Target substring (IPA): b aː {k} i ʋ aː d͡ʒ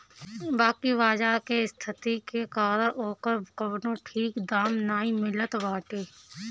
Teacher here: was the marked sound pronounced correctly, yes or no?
yes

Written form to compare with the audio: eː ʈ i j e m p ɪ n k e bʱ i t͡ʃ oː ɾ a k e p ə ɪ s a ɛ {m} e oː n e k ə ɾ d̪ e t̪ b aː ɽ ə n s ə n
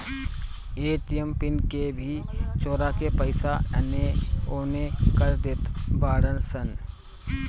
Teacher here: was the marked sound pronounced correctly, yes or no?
no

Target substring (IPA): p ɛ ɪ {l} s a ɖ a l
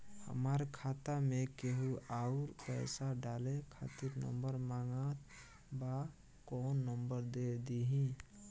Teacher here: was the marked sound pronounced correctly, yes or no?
no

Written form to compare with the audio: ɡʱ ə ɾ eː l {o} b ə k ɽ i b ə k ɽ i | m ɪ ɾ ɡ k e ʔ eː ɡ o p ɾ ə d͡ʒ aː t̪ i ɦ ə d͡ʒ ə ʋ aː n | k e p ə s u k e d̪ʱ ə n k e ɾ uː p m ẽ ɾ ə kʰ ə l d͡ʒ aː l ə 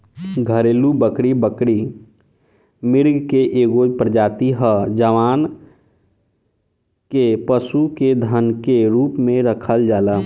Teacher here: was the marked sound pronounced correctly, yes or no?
no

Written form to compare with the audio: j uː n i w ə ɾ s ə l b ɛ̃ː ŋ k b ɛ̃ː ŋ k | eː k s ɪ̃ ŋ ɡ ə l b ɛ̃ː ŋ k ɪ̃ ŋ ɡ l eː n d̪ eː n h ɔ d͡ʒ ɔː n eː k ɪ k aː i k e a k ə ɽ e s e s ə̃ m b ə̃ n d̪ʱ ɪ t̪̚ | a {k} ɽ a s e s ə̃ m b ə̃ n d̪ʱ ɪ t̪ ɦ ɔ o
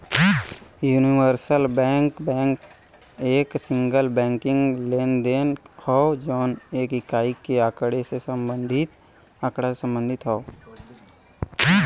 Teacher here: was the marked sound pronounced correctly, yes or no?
yes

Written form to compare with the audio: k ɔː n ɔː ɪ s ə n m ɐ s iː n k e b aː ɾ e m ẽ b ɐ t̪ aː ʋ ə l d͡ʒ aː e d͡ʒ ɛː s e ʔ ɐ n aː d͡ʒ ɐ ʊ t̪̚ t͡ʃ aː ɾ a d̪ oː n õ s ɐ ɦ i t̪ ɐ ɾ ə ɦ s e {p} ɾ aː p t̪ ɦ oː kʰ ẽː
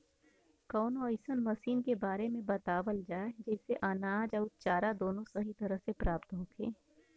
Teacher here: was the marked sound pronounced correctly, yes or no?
yes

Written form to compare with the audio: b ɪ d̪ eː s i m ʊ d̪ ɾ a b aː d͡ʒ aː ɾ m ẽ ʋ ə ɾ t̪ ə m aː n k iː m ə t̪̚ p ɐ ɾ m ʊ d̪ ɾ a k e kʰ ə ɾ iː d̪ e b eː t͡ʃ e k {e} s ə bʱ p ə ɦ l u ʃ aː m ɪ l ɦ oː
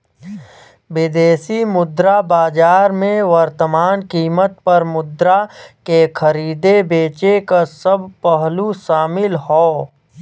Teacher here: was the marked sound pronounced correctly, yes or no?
no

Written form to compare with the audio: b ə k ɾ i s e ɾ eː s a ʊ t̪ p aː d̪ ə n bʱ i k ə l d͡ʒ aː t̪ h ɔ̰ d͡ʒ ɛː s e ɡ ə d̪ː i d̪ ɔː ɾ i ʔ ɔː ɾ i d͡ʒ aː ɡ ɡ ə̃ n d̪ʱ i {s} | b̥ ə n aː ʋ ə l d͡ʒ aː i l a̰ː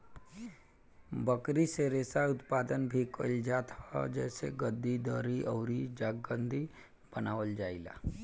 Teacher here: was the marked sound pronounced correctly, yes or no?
no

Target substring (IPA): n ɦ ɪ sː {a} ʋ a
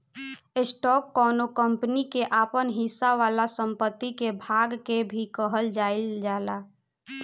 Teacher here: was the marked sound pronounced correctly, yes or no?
yes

